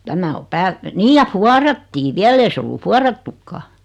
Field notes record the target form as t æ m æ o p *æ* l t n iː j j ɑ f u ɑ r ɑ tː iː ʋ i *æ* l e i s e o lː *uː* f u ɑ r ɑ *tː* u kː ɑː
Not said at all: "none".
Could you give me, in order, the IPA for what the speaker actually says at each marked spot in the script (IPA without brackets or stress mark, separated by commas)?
æː, æ, u, tː